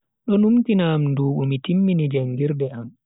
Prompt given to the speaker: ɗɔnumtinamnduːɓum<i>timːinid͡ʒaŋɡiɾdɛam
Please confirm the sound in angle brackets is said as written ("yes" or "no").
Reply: yes